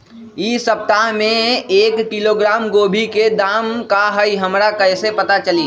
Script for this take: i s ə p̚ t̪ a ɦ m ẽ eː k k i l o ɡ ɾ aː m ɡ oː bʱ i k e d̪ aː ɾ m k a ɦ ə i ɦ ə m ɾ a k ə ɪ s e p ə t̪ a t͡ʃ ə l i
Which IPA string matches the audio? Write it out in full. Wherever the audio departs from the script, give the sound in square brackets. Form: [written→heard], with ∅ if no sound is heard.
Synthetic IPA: i s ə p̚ t̪ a ɦ m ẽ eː k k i l o ɡ ɾ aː m ɡ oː bʱ i k e d̪ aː [ɾ→∅] m k a ɦ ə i ɦ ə m ɾ a k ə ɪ s e p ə t̪ a t͡ʃ ə l i